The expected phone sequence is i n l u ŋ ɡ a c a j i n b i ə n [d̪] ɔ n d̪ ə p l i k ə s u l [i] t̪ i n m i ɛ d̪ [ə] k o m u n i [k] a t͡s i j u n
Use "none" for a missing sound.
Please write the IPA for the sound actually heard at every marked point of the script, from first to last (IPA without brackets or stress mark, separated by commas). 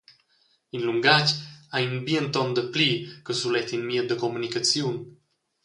t̪, ɛ, ə, k